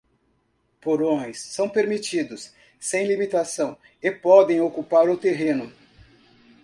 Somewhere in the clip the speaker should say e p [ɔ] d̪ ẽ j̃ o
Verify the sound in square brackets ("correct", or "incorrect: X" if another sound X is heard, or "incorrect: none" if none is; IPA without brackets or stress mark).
correct